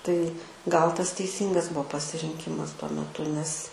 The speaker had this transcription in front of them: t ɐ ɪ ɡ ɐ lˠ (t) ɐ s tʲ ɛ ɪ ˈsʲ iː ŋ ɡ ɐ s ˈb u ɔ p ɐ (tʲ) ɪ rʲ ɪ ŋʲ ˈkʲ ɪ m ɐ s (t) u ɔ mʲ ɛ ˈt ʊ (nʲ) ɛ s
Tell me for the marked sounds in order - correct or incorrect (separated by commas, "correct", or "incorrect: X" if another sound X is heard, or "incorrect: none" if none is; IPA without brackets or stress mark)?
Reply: correct, incorrect: sʲ, correct, correct